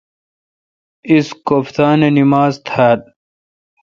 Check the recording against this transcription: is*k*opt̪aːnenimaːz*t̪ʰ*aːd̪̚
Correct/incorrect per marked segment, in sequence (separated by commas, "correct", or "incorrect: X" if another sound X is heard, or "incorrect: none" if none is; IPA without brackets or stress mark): correct, correct